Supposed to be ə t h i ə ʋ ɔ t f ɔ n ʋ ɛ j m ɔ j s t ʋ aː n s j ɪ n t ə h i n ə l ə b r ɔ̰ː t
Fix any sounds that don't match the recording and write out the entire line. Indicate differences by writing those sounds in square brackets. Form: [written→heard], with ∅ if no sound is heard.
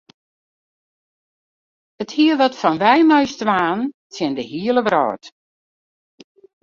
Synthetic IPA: ə t h i ə ʋ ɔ t f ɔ n ʋ ɛ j m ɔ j s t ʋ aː n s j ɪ n [t→d] ə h i [n→∅] ə l ə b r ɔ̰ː t